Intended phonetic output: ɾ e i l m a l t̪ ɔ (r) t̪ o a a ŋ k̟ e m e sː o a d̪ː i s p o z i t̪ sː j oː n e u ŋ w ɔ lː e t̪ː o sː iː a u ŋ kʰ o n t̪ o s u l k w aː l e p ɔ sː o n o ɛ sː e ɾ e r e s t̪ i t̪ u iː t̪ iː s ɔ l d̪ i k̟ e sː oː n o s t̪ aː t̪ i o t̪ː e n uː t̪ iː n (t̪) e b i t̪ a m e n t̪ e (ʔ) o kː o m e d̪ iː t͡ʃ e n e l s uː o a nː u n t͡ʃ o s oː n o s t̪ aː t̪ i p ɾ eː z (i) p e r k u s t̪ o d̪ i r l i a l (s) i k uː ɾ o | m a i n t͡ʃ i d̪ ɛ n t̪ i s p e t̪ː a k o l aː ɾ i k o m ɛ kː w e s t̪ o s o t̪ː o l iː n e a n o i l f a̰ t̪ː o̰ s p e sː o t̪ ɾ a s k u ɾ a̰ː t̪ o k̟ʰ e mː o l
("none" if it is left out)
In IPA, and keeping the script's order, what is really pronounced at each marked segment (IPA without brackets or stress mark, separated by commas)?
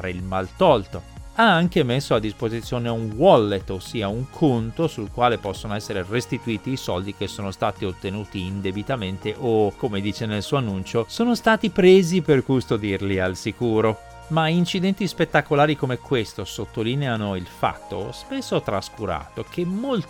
l, d̪, ʔ, i, s